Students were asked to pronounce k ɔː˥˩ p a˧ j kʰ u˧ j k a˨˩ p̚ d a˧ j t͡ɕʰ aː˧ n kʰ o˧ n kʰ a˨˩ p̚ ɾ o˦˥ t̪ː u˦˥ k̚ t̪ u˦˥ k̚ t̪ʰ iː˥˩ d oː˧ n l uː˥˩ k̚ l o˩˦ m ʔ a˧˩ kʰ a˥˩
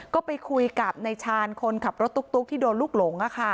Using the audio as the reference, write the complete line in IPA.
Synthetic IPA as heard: k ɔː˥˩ p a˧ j kʰ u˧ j k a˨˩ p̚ n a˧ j t͡ɕʰ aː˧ n kʰ o˧ n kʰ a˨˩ p̚ ɾ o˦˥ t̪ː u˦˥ k̚ t̪ u˦˥ k̚ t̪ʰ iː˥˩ d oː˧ n l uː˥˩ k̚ l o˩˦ ŋ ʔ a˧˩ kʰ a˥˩